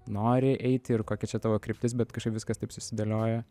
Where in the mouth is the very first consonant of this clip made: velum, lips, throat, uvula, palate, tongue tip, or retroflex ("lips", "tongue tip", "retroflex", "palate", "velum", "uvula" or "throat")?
tongue tip